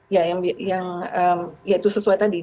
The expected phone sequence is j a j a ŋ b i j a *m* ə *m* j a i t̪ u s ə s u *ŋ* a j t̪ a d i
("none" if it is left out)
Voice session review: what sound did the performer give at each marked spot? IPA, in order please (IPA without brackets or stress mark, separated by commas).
ŋ, m, none